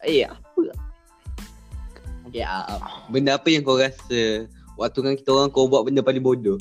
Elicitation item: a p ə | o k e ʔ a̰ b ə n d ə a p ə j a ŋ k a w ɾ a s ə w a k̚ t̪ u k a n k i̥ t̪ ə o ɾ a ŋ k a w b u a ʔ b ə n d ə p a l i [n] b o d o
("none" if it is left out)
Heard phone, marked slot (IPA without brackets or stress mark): ŋ